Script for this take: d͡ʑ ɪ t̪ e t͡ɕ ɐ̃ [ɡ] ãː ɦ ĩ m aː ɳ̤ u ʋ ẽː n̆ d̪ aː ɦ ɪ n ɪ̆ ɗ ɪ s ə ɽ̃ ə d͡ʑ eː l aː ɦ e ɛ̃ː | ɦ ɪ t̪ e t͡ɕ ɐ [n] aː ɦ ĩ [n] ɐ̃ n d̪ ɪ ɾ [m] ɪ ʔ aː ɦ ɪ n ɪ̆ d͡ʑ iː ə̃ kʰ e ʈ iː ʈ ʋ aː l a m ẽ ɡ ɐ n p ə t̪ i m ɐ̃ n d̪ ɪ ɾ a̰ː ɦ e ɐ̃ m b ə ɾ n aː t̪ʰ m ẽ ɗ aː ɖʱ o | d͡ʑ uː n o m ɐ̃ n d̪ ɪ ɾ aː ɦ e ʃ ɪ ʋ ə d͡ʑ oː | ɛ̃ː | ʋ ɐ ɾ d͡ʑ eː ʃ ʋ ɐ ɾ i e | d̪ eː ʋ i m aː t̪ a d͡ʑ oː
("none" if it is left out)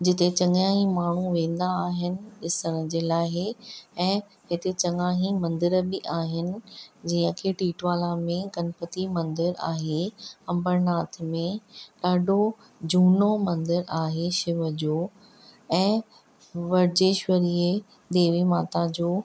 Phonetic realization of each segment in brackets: ŋ, ŋ, m, b

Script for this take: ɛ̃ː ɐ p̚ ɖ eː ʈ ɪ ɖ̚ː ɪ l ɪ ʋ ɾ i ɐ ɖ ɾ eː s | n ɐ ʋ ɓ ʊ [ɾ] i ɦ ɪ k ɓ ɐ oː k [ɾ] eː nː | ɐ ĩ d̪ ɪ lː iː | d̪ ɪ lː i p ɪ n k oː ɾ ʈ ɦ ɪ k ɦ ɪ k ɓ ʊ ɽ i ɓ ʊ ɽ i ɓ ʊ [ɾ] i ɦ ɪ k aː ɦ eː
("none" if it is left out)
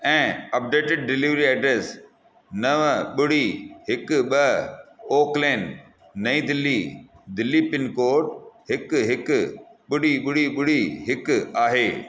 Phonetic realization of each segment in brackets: ɽ, l, ɽ

